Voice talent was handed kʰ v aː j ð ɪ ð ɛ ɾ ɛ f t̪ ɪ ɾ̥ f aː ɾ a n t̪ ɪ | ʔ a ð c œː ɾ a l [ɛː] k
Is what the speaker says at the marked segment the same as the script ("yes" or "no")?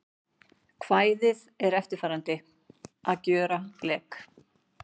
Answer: yes